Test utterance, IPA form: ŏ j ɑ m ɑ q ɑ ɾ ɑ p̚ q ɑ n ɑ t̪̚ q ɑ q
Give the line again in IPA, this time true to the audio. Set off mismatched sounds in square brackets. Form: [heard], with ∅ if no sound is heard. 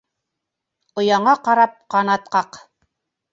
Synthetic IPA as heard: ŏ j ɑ [ɴ] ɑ q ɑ ɾ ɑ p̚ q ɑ n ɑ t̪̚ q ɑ q